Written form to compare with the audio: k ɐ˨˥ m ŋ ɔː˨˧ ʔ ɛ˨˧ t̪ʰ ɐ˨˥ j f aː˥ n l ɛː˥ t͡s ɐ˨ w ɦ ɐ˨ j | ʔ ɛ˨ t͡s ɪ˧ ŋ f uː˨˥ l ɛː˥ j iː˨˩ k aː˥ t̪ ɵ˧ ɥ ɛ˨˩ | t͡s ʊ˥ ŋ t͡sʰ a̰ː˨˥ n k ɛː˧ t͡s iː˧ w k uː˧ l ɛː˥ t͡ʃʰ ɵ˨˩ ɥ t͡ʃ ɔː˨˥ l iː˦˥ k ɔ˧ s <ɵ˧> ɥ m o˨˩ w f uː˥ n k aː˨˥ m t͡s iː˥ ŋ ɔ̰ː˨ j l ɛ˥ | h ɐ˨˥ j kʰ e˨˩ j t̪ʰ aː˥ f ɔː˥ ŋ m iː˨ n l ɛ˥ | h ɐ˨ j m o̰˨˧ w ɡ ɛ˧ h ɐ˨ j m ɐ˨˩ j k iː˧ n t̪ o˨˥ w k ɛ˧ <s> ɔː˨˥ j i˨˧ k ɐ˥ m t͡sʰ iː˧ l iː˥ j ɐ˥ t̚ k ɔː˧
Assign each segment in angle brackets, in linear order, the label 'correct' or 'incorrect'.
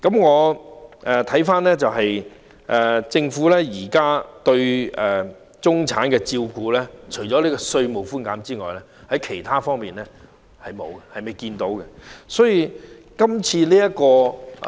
correct, correct

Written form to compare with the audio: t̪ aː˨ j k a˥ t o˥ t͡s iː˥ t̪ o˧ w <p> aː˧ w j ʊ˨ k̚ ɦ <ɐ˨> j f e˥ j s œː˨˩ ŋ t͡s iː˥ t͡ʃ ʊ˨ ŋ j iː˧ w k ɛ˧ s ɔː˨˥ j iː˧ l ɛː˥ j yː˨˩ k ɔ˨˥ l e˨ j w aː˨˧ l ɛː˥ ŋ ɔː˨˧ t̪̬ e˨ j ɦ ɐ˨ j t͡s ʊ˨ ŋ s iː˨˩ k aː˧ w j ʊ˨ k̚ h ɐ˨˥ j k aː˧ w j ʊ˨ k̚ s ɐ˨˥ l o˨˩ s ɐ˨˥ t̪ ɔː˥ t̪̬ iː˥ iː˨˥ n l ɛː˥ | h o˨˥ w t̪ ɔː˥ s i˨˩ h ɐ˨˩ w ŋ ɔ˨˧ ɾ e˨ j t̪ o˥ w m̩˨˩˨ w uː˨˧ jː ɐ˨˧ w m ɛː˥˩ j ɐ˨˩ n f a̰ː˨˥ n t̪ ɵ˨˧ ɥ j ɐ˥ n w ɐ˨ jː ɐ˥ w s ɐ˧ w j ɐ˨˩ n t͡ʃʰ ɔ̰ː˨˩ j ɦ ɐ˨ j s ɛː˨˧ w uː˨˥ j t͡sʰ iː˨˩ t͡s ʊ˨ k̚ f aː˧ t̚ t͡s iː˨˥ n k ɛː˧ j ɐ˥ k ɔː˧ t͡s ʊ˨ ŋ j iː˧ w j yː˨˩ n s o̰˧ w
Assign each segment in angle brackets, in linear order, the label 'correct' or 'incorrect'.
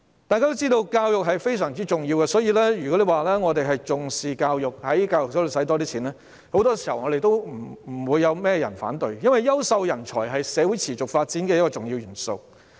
incorrect, correct

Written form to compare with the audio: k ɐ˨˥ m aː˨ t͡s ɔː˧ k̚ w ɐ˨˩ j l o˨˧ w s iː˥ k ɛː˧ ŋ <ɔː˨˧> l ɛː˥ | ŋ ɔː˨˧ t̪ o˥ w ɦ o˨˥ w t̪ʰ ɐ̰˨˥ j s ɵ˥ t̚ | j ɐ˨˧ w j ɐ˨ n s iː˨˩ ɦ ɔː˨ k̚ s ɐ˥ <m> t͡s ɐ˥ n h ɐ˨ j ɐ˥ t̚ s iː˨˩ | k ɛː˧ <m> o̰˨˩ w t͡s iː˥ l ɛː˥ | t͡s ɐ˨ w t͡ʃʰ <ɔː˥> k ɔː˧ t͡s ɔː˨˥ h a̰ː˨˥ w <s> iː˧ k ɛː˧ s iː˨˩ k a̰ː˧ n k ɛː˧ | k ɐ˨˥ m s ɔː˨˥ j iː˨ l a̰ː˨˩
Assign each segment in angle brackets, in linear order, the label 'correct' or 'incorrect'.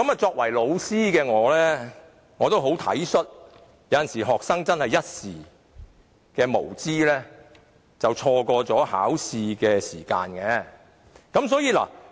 correct, incorrect, correct, incorrect, correct

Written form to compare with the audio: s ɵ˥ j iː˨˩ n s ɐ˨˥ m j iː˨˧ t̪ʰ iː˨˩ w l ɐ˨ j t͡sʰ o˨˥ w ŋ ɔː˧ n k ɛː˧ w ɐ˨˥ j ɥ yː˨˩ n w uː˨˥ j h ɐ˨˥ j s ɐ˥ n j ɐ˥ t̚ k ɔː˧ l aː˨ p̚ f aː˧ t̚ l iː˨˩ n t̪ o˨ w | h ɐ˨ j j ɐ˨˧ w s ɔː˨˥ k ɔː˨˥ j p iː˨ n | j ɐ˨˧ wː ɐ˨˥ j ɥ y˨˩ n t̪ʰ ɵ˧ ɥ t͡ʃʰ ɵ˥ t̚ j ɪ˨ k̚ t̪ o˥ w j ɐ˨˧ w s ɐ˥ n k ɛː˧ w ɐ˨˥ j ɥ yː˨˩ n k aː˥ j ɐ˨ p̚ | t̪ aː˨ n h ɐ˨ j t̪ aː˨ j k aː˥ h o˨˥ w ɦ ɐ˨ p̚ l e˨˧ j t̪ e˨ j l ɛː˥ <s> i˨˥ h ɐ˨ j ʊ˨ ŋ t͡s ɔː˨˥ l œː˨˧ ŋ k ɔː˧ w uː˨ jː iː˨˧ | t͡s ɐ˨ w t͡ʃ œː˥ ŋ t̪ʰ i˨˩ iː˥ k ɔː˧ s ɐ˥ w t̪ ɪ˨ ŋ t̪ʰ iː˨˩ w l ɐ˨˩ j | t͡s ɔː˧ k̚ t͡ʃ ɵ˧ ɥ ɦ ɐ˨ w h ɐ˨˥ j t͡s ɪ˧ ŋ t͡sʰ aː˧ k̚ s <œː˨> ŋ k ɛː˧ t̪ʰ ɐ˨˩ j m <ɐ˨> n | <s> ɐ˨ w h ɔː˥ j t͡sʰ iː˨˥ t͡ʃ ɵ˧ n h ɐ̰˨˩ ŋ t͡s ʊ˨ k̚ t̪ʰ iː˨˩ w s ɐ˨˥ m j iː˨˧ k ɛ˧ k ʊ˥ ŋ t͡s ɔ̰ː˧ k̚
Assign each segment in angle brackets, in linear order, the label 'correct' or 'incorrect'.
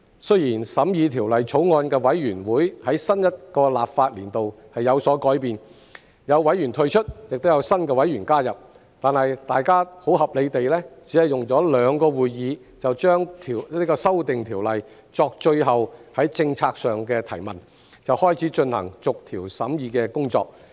incorrect, correct, correct, incorrect

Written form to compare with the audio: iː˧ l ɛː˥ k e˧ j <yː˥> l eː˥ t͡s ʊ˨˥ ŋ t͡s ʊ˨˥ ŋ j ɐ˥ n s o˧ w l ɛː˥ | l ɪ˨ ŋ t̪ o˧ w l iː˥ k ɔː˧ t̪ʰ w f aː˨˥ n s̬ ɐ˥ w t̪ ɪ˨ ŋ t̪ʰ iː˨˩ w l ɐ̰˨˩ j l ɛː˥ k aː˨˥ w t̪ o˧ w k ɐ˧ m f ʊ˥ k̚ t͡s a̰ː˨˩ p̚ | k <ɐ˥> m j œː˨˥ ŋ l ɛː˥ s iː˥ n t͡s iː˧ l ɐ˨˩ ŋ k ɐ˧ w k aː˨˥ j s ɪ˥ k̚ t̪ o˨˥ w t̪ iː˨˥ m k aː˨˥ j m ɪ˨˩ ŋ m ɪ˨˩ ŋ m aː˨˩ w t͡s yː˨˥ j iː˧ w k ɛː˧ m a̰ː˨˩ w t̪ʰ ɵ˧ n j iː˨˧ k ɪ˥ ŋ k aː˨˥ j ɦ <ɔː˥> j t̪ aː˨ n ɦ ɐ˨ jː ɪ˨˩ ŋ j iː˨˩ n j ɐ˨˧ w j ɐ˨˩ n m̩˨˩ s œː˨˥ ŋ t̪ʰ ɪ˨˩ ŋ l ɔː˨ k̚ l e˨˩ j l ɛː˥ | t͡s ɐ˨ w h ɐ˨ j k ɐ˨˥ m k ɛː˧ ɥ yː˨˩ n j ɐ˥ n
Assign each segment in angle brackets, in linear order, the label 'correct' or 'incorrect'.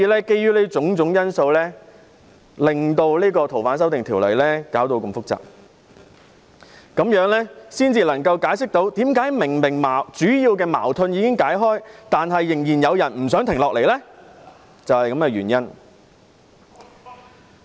correct, incorrect, correct

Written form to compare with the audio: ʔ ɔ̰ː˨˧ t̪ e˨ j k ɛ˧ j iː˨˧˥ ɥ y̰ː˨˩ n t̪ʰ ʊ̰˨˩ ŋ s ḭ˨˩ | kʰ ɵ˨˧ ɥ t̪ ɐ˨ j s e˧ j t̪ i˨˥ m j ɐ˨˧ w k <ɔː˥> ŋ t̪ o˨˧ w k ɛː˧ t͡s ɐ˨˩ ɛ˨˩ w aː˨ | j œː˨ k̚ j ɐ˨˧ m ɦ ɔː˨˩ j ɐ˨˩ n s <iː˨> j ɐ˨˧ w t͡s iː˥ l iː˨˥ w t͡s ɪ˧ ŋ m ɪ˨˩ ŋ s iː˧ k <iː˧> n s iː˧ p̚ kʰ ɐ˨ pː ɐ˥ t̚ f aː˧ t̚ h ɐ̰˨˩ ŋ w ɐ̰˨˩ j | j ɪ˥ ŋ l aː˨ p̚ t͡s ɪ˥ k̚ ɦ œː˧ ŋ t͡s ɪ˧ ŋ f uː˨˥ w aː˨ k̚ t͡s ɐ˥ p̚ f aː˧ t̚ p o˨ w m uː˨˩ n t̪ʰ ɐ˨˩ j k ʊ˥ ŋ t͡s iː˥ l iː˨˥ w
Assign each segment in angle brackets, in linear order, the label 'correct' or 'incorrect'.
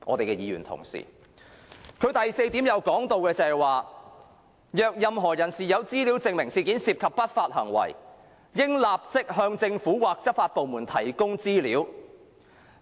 incorrect, correct, incorrect

